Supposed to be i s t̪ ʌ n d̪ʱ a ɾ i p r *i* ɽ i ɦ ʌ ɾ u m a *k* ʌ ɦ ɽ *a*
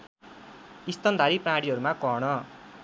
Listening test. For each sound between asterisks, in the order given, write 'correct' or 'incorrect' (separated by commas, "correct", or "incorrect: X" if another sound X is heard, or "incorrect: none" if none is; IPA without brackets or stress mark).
incorrect: a, correct, incorrect: ʌ